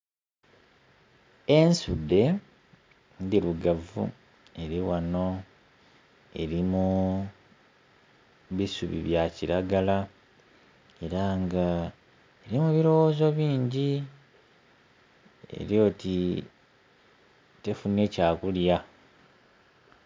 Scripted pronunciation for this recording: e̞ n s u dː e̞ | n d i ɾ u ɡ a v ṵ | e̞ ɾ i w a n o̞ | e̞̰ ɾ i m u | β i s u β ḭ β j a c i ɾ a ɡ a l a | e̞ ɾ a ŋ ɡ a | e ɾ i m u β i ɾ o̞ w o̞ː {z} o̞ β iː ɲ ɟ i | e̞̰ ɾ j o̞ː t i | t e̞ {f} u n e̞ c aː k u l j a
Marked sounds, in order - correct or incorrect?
correct, correct

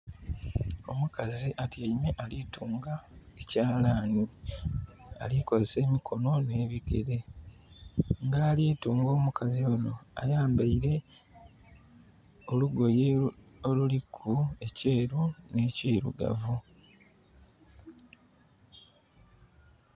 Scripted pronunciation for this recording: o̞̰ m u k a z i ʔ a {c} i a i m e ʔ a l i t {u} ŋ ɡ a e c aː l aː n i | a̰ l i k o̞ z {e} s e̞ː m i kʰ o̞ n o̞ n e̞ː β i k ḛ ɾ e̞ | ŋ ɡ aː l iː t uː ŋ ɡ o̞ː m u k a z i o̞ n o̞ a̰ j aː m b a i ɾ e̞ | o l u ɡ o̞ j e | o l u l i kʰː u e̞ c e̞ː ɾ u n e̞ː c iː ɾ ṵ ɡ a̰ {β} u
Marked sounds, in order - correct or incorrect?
incorrect, incorrect, correct, incorrect

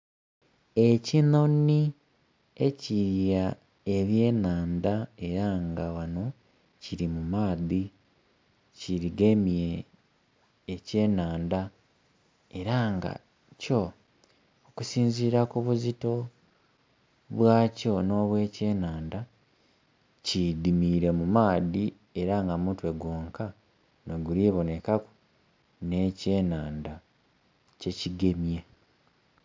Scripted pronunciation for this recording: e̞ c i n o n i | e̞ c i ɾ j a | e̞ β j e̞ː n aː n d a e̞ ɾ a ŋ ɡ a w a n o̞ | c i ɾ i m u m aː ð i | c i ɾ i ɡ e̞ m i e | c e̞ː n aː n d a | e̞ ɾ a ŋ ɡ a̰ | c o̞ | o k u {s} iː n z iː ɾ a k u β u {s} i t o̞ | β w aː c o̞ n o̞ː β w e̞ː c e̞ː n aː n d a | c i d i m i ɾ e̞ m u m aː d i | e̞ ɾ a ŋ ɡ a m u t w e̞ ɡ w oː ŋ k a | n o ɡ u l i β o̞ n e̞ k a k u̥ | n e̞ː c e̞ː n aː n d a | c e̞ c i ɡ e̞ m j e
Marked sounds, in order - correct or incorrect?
correct, incorrect

